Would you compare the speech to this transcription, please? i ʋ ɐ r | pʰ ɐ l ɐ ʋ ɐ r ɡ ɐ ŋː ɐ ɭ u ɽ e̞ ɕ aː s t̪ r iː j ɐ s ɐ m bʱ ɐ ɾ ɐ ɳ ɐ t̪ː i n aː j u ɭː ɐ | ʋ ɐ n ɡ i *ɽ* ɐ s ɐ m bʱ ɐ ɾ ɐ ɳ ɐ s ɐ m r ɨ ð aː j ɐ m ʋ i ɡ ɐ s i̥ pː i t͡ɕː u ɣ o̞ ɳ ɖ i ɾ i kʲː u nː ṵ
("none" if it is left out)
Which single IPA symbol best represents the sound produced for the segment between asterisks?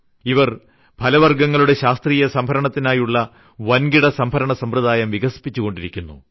ɽ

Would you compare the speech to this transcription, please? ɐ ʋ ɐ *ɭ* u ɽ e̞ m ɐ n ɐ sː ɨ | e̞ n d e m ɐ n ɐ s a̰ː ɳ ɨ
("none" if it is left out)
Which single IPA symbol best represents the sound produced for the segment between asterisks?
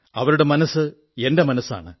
ɾ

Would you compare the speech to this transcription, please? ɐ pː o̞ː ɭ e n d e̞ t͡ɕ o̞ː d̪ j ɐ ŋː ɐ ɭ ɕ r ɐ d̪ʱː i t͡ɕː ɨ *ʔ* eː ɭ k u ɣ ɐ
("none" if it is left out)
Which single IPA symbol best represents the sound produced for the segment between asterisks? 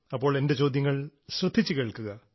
k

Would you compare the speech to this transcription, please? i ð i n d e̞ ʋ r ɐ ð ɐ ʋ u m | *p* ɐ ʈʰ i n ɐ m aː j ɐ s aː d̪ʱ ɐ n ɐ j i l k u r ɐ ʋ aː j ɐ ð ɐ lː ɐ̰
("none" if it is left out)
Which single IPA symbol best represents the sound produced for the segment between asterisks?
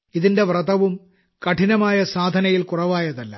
k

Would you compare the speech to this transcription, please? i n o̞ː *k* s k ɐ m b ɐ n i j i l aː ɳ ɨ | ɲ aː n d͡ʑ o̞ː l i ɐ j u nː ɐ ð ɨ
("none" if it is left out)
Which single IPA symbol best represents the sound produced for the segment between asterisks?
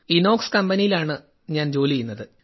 k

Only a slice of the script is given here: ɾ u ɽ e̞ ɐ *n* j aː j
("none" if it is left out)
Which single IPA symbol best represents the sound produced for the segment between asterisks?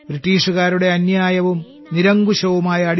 n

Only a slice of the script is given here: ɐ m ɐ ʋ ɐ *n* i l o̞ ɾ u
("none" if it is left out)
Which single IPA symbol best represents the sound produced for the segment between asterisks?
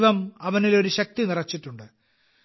n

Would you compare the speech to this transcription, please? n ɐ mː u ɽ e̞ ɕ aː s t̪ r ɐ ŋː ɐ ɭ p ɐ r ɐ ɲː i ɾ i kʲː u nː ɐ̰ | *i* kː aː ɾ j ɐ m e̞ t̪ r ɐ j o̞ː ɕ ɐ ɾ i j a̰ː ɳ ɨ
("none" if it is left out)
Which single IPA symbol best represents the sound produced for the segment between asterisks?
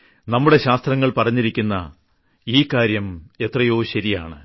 iː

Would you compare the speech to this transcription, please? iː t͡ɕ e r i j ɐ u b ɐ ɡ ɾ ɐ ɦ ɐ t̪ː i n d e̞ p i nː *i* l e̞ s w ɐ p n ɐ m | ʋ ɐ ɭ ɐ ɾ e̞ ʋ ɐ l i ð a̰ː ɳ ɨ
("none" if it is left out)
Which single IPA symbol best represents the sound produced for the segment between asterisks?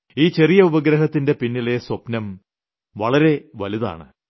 i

